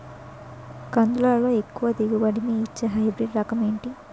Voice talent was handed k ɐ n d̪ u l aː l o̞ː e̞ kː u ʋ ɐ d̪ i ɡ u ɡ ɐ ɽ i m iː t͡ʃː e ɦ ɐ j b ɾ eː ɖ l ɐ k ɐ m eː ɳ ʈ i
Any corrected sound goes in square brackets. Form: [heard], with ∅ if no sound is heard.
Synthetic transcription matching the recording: k ɐ n d̪ u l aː l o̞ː e̞ kː u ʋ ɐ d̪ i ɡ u [b] ɐ ɽ i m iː t͡ʃː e ɦ ɐ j b ɾ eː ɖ [ɾ] ɐ k ɐ m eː ɳ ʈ i

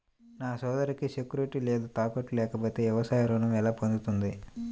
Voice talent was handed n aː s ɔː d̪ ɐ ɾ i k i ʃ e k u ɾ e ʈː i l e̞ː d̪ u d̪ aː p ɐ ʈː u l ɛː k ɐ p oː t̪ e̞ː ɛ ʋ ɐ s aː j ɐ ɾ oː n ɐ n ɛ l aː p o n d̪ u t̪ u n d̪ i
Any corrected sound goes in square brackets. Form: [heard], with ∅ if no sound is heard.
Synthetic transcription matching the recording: n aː s ɔː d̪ ɐ ɾ i k i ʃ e k u ɾ e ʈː i l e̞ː d̪ u [t̪] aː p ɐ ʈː u l ɛː k ɐ p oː t̪ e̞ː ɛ ʋ ɐ s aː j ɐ ɾ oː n ɐ [m] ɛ l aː p o n d̪ u t̪ u n d̪ i

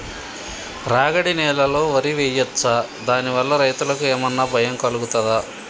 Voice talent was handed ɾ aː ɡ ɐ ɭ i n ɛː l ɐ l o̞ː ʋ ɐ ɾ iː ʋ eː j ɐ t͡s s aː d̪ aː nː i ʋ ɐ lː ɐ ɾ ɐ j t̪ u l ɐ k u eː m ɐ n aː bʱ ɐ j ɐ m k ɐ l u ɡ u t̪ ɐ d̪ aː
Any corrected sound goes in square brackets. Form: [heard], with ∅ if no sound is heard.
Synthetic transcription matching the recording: ɾ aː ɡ ɐ [ɽ] i n ɛː l ɐ l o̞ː ʋ ɐ ɾ [i] ʋ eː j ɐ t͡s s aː d̪ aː [n] i ʋ ɐ lː ɐ ɾ ɐ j t̪ u l ɐ k u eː m ɐ [nː] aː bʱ ɐ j ɐ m k ɐ l u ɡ u t̪ ɐ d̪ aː

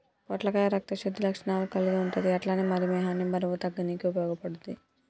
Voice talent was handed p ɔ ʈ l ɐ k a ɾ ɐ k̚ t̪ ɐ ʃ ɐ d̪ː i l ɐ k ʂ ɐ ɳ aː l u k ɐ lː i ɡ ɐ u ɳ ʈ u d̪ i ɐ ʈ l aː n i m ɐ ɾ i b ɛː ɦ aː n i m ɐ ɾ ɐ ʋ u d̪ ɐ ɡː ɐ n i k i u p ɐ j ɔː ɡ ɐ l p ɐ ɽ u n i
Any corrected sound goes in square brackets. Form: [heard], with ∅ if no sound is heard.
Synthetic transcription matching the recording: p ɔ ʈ l ɐ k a ɾ ɐ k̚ t̪ ɐ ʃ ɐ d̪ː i l ɐ k ʂ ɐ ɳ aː l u k ɐ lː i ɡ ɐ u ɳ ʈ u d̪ i ɐ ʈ l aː n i m ɐ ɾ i [m] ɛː ɦ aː n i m ɐ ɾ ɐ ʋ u [t̪] ɐ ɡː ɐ n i k i u p ɐ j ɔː ɡ ɐ [∅] p ɐ ɽ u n i

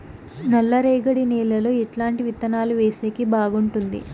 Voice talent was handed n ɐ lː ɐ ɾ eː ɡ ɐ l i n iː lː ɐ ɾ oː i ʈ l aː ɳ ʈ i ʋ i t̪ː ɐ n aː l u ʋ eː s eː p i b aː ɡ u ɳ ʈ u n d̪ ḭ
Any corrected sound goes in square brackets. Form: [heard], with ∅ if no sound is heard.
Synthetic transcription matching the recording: n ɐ lː ɐ ɾ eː ɡ ɐ [ɽ] i n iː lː ɐ [l] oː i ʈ l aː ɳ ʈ i ʋ i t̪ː ɐ n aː l u ʋ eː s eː [k] i b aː ɡ u ɳ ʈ u n d̪ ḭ

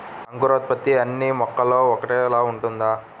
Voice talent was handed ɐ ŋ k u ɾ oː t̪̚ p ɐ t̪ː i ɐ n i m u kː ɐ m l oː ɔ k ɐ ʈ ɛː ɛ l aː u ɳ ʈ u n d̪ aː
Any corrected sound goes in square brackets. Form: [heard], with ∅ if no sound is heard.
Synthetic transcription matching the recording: ɐ ŋ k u ɾ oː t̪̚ p ɐ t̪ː i ɐ [nː] i m [ɔ] kː ɐ [∅] l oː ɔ k ɐ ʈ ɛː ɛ l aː u ɳ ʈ u n d̪ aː

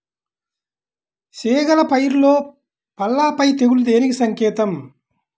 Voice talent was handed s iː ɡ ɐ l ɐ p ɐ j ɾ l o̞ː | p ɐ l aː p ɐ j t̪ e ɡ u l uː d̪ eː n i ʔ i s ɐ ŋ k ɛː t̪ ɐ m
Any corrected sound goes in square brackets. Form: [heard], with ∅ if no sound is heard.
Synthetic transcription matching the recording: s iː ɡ ɐ l ɐ p ɐ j ɾ l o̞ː | p ɐ [lː] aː p ɐ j t̪ e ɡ u l [u] d̪ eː n i [k] i s ɐ ŋ k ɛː t̪ ɐ m

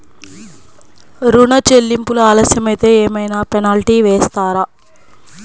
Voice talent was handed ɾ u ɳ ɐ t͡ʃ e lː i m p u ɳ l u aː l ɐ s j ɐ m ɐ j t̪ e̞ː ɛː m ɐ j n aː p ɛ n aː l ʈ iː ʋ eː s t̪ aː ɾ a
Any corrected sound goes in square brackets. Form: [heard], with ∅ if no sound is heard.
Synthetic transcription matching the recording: ɾ u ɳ ɐ t͡ʃ e lː i m p u [∅] l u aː l ɐ s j ɐ m ɐ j t̪ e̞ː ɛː m ɐ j n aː p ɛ n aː l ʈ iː ʋ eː s t̪ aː ɾ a

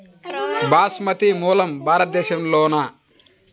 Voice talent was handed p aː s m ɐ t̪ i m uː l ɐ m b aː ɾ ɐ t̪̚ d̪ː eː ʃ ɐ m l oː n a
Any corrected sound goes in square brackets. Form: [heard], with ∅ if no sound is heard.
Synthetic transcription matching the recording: [b] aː s m ɐ t̪ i m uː l ɐ m b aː ɾ ɐ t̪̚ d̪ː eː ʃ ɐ m l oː n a

